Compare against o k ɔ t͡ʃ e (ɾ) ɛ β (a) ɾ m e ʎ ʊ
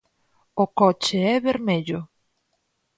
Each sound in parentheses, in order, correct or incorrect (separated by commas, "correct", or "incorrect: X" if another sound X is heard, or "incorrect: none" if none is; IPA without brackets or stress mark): incorrect: none, incorrect: e